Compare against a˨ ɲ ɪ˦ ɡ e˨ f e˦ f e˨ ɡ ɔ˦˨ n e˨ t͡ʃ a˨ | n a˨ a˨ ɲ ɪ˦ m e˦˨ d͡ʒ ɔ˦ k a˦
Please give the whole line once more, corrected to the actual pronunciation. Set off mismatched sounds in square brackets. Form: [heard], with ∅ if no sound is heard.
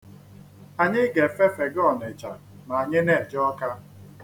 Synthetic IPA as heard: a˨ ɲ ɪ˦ ɡ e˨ f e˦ f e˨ ɡ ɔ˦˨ n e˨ t͡ʃ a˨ | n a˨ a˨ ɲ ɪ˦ [n] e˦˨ d͡ʒ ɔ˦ k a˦